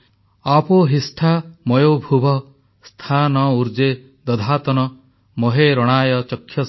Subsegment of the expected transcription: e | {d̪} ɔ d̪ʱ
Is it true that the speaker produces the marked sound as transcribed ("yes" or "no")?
yes